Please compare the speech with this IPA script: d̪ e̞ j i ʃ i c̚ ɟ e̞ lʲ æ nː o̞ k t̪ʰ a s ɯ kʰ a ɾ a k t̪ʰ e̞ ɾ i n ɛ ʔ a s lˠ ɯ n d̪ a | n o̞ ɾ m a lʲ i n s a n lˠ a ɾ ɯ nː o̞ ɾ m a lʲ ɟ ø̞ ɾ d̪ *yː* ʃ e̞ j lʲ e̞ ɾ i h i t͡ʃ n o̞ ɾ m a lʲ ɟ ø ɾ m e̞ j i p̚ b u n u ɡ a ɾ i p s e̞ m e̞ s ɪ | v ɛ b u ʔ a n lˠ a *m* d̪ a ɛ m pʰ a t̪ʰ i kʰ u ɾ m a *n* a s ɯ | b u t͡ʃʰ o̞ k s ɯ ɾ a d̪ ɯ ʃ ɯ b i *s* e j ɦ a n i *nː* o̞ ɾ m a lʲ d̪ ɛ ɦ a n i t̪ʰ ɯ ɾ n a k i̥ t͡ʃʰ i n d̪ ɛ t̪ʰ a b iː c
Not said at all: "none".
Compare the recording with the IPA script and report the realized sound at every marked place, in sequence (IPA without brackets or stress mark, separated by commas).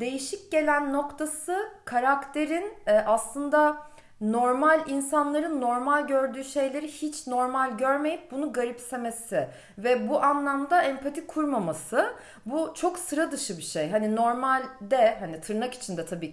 yː, m, m, ʃ, n